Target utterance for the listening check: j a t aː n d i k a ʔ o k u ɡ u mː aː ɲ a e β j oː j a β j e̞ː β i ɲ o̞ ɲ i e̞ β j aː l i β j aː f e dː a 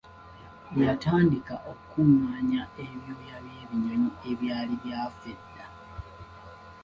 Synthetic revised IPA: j a t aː n d i k a ʔ o k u k u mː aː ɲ a e β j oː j a β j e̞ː β i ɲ o̞ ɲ i e̞ β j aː l i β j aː f e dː a